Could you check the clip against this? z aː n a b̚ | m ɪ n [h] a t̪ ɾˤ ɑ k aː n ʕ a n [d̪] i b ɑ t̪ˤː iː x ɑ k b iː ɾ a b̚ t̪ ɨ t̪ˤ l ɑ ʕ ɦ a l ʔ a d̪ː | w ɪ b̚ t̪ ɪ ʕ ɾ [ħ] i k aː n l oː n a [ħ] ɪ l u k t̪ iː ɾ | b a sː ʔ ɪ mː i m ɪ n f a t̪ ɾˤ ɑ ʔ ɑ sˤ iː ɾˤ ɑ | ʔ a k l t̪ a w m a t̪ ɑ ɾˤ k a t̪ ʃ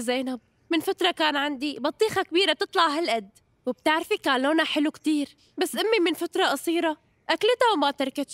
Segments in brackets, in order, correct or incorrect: incorrect: f, correct, incorrect: f, correct

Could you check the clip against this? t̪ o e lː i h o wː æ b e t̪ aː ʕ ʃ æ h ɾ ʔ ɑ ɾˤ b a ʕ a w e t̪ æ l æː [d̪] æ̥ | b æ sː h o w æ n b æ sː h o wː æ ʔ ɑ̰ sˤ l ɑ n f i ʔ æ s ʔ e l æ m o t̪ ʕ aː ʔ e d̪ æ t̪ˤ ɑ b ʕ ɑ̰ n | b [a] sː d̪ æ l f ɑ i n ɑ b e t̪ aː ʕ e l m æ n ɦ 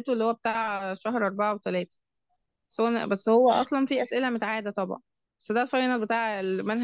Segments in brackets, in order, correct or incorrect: incorrect: t̪, incorrect: æ

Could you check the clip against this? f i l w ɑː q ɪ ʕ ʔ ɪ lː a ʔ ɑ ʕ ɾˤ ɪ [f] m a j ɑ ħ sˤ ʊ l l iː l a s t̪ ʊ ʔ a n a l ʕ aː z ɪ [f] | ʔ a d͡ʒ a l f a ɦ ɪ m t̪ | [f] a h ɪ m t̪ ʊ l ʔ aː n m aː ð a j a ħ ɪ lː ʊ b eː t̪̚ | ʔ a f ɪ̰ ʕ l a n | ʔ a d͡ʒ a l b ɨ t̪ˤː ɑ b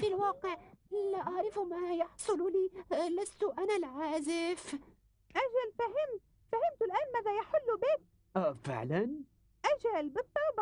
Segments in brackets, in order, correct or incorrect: correct, correct, correct

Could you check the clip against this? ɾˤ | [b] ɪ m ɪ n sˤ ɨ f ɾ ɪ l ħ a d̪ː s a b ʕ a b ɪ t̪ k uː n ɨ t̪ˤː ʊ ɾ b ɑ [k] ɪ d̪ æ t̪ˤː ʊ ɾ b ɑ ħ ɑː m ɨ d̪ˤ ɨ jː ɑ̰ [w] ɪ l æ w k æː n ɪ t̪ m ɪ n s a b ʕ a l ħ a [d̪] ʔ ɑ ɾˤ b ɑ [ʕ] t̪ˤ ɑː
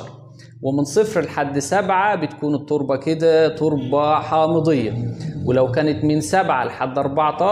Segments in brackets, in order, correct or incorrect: incorrect: w, correct, correct, incorrect: d̪ː, correct

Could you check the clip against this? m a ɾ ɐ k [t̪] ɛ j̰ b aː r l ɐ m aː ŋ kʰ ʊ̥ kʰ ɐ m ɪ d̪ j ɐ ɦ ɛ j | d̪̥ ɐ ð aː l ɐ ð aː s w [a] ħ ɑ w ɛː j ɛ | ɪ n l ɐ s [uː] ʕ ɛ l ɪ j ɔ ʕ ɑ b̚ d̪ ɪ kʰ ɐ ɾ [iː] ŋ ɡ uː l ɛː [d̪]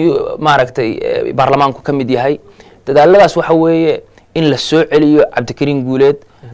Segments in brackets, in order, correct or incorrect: incorrect: t̪ʰ, incorrect: ɑ, incorrect: ɔː, correct, correct

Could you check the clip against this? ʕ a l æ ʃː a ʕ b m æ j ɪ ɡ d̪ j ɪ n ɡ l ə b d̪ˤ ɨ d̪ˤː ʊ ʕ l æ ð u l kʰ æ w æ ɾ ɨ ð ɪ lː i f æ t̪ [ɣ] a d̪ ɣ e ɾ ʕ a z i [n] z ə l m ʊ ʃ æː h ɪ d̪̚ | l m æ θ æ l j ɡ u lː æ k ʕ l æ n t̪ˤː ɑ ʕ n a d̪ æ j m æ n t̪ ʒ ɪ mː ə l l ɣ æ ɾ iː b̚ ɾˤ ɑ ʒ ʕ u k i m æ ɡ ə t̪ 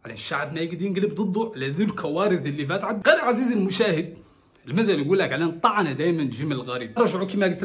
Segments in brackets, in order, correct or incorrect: incorrect: ʕ, incorrect: none

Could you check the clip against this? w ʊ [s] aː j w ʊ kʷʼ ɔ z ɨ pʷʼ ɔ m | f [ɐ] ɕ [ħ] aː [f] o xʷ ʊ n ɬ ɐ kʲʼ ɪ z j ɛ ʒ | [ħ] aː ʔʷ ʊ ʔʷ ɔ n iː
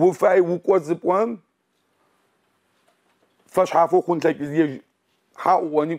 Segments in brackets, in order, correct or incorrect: incorrect: f, correct, correct, correct, correct

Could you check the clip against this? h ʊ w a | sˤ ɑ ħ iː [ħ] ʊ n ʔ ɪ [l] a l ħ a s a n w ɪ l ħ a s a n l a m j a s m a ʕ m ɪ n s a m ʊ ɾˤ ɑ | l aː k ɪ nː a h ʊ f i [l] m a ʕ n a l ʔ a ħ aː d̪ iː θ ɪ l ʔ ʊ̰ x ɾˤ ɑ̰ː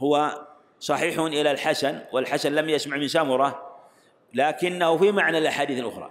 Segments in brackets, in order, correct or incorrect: correct, correct, incorrect: none

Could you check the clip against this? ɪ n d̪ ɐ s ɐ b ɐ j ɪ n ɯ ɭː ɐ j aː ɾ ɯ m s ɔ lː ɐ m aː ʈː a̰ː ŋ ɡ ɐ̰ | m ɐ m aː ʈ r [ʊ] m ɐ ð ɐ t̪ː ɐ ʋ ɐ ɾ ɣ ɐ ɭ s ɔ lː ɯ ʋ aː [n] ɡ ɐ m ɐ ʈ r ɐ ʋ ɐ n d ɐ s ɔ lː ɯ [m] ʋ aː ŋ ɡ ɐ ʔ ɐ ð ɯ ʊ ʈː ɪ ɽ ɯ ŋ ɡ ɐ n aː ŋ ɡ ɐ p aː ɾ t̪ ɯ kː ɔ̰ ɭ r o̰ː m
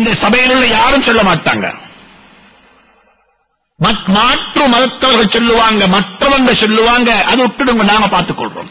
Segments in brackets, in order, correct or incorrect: incorrect: ɯ, incorrect: ŋ, incorrect: none

